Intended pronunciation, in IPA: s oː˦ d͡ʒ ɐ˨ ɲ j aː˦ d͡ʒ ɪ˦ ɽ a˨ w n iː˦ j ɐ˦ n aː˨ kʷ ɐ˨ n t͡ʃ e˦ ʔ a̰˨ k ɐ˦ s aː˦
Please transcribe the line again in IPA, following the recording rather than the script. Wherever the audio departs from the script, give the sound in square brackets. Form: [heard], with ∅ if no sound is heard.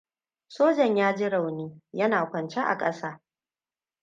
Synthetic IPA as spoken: s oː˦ d͡ʒ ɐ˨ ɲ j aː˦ d͡ʒ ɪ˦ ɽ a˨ w n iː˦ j ɐ˦ n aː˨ kʷ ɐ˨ n t͡ʃ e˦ ʔ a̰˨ [kʼ] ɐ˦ s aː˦

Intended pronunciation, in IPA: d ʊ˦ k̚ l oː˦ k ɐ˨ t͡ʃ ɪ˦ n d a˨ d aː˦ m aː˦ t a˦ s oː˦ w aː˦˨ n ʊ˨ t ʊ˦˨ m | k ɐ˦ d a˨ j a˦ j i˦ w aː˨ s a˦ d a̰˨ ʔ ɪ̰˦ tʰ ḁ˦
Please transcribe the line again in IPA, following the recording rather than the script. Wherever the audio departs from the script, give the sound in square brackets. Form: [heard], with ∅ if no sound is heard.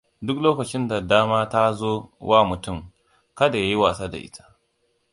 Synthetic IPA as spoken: d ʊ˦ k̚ l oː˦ k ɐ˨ t͡ʃ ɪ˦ n d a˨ d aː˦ m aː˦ t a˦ [z] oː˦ w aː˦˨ [m] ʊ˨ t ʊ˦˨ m | k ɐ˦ d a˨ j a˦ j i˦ w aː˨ s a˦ d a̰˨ ʔ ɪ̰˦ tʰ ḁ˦

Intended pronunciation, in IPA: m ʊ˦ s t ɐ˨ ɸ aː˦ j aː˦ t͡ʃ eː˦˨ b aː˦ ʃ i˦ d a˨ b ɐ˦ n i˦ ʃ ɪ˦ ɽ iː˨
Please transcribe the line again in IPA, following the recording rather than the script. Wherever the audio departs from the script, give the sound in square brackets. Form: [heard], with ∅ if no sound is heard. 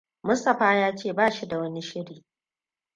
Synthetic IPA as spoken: m ʊ˦ s t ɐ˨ ɸ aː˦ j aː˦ t͡ʃ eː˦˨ b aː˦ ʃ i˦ d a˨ [w] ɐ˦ n i˦ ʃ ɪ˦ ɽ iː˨

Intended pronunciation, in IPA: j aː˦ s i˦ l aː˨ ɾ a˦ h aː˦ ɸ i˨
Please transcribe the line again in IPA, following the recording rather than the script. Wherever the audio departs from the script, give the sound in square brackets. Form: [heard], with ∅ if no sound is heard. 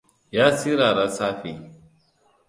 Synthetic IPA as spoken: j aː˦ s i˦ [ɾ] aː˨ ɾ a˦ [s] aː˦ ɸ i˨

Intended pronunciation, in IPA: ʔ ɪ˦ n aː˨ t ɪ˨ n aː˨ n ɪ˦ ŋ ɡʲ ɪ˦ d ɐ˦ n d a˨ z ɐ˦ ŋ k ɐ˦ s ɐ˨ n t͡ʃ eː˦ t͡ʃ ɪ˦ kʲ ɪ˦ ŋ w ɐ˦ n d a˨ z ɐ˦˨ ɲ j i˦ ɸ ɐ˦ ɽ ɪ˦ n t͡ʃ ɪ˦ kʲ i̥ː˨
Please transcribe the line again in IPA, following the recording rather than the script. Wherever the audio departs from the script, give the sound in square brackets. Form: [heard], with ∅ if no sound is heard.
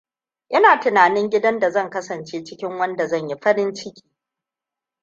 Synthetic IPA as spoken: ʔ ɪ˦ n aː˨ t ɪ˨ n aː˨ n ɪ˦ ŋ ɡʲ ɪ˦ d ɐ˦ n d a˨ z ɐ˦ ŋ k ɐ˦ s ɐ˨ n t͡ʃ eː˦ t͡ʃ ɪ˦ kʲ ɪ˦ ŋ w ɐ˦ n d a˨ z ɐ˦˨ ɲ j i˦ ɸ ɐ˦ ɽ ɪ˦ n t͡ʃ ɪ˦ kʲ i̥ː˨

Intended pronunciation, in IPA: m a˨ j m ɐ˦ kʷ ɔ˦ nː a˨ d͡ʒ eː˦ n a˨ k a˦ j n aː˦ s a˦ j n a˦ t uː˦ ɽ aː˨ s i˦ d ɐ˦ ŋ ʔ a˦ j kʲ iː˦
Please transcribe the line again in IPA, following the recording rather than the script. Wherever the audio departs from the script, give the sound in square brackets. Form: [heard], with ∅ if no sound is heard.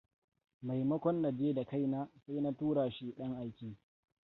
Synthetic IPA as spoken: m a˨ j m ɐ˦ kʷ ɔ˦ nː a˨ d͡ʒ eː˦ [d] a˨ k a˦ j n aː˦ s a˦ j n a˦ t uː˦ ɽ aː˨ [ʃ] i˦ [ɗ] ɐ˦ ŋ ʔ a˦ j kʲ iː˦

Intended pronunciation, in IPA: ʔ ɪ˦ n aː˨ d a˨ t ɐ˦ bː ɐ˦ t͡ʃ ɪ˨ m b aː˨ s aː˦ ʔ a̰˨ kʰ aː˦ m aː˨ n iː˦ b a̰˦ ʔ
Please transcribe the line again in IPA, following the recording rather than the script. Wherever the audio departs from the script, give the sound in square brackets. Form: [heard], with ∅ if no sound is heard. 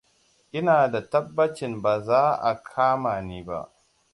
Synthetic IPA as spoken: ʔ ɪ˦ n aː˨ d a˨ t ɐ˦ bː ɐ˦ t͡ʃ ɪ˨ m b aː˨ [z] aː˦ ʔ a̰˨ kʰ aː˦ m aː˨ n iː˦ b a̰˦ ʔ

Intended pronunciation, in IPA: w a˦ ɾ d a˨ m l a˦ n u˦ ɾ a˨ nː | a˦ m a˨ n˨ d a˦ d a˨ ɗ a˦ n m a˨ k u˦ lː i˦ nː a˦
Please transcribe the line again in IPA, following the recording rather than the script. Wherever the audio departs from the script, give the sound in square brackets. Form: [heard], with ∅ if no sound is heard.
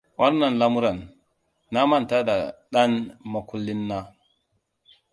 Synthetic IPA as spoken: w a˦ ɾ [n] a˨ [n] l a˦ [m] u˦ ɾ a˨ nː | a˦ m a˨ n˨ [t] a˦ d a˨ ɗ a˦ n m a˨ k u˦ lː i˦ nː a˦

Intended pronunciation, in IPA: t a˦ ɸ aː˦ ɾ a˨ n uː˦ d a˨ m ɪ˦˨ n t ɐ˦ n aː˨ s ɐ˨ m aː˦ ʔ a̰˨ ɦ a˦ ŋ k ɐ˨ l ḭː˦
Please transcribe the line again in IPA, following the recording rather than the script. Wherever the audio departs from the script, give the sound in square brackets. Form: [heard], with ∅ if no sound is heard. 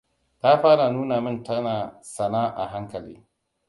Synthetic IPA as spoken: t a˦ ɸ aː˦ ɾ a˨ n uː˦ [n] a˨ m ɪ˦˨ n t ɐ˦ n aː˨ s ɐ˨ [n] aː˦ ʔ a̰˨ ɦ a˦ ŋ k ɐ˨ l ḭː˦

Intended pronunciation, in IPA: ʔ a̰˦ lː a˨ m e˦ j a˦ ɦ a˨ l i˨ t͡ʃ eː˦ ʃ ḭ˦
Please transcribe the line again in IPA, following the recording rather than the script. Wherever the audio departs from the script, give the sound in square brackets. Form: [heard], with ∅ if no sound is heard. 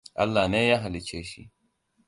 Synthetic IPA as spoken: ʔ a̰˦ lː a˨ [n] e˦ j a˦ ɦ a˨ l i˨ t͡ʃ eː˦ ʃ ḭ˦

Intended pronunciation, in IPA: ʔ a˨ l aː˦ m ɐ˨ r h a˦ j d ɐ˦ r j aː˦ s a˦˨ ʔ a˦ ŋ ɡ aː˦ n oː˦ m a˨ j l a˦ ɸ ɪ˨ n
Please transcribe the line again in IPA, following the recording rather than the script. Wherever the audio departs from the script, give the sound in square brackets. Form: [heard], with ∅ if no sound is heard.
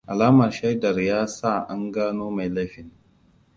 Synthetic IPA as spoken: ʔ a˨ l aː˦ m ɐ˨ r [ʃ] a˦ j d [ɐ˨] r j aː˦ s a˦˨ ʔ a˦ ŋ ɡ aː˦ n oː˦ m a˨ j l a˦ ɸ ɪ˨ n

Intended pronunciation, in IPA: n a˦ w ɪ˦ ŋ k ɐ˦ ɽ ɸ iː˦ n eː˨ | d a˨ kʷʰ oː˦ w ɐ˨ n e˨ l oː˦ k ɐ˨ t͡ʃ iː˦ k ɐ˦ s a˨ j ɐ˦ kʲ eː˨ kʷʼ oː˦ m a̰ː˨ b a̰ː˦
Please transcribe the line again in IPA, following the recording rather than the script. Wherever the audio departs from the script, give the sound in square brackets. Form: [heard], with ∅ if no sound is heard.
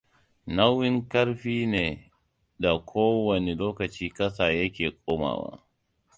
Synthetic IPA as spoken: n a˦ w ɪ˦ ŋ k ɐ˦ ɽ ɸ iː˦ n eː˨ | d a˨ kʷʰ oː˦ w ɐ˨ n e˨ l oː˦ k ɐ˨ t͡ʃ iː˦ k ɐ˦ s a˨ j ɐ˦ kʲ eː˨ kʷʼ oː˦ m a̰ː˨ [w] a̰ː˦

